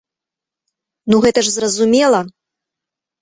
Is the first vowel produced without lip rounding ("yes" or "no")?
no